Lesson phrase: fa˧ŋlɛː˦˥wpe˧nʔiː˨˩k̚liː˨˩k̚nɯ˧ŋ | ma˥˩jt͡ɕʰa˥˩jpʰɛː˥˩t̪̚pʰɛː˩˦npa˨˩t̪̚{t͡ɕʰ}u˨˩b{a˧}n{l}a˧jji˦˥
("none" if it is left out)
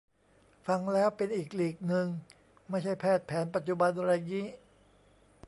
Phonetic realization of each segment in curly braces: t͡ɕ, a˧, ɾ

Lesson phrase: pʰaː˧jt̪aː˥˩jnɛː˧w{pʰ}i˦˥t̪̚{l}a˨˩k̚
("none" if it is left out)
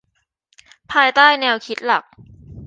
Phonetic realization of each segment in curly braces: kʰ, l

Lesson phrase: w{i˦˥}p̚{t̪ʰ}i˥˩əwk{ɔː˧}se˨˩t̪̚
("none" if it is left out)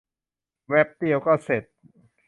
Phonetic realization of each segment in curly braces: ɛ˦˥, t̪, ɔː˥˩

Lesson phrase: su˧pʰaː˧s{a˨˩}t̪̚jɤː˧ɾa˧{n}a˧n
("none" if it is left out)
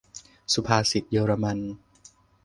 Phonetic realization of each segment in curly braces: i˨˩, m

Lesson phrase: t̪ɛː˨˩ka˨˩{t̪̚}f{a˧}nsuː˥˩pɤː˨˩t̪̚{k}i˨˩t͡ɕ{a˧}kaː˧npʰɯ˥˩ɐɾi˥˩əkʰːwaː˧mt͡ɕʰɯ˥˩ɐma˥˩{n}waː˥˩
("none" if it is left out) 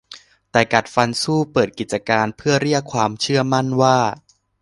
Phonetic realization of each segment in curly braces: t̪̚, a˧, k, a˧, n

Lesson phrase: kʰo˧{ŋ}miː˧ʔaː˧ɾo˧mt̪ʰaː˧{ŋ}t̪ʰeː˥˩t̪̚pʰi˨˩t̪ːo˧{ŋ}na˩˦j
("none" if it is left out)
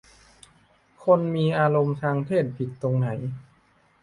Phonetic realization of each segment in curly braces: n, ŋ, ŋ

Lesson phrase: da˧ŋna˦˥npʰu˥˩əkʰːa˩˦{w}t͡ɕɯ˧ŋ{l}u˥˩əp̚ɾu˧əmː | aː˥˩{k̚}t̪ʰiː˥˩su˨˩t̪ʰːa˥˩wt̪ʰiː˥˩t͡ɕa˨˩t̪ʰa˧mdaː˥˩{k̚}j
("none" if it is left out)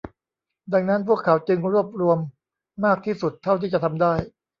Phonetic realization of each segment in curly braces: w, ɾ, k̚, none

